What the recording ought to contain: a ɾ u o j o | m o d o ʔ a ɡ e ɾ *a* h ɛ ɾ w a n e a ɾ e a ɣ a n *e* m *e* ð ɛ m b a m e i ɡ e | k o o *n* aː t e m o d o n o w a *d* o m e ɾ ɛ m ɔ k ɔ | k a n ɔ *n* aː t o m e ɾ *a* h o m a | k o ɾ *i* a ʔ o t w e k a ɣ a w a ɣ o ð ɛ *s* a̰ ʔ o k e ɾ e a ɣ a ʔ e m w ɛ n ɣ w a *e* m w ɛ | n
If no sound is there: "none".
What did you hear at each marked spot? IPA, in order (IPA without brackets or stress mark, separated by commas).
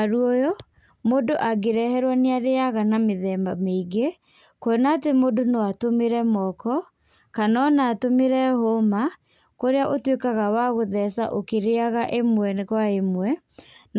ɛ, a, e, n, t, n, ɛ, e, s, e